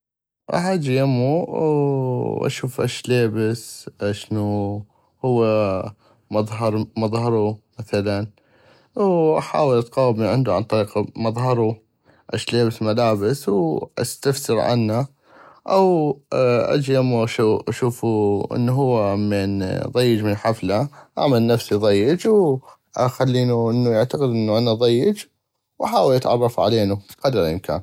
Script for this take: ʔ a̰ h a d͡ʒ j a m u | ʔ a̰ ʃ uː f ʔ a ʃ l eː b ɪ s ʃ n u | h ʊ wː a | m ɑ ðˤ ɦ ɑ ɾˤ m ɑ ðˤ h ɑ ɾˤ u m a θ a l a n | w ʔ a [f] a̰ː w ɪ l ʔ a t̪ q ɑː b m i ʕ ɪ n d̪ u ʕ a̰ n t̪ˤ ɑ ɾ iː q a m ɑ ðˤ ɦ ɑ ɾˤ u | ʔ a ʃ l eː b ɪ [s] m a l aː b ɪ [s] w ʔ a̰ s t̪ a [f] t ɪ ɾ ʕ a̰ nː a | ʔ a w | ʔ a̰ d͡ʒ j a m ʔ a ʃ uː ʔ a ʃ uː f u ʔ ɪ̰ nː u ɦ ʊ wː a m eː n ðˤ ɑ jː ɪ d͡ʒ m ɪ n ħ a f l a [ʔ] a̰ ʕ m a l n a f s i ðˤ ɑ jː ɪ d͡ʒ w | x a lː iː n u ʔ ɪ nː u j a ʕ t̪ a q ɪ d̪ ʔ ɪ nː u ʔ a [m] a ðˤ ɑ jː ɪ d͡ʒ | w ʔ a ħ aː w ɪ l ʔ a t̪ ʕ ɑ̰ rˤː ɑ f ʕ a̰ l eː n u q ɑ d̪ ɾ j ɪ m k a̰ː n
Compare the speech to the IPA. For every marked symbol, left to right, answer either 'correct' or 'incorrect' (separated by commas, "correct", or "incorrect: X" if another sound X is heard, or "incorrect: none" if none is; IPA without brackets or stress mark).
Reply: incorrect: ħ, correct, correct, correct, correct, incorrect: n